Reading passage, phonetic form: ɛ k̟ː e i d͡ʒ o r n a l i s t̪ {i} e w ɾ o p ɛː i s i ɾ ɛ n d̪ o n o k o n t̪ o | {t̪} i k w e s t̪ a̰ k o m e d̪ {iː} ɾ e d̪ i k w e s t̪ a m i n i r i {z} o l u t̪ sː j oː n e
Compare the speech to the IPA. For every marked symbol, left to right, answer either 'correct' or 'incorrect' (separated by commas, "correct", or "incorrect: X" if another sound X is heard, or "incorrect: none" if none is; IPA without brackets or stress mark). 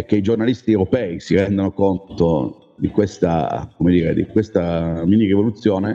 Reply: correct, incorrect: d̪, correct, incorrect: v